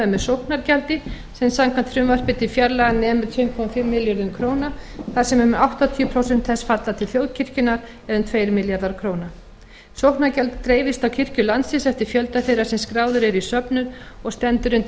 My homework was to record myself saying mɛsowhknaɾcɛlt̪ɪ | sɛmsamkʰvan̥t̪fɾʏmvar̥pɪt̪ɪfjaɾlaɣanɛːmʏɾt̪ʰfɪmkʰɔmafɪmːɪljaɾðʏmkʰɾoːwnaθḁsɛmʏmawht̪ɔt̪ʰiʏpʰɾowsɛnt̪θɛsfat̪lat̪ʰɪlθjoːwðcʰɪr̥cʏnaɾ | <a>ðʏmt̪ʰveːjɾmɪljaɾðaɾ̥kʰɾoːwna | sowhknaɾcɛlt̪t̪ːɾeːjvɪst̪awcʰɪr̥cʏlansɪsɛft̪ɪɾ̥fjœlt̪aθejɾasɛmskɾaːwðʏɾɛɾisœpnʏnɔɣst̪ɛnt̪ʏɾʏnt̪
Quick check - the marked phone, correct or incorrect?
incorrect: ɛ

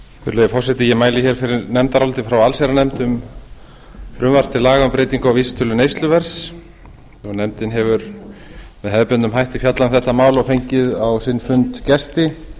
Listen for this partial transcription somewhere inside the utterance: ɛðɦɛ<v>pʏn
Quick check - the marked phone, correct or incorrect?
incorrect: ð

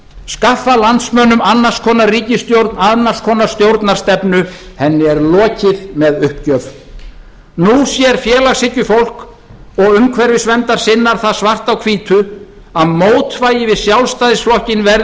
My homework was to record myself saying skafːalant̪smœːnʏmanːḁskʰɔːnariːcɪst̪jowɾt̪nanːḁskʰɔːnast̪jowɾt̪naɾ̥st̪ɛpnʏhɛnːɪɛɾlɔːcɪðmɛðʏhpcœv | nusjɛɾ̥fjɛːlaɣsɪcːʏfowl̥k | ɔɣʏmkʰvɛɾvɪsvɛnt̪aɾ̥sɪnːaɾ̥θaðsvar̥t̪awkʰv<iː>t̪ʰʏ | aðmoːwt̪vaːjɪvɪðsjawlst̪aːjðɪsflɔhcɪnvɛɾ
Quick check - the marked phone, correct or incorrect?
correct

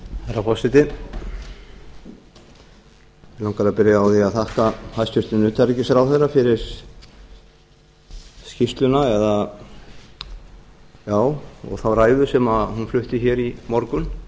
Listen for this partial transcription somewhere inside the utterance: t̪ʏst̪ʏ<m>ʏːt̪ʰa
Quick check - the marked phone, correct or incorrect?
incorrect: n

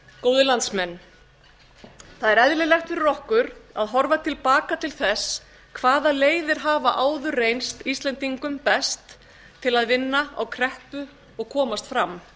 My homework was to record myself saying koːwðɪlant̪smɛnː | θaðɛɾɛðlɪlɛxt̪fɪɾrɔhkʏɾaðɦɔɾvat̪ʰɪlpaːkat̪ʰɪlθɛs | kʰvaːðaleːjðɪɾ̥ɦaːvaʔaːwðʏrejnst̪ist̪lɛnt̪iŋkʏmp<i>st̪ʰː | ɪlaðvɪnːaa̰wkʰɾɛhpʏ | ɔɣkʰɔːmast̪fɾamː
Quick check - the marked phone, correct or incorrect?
incorrect: ɛ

